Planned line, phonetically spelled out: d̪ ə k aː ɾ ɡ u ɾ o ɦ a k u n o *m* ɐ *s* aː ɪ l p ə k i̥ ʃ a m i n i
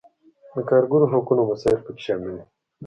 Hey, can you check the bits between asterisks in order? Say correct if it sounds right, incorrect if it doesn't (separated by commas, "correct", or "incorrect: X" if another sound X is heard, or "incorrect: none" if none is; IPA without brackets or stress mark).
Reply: correct, correct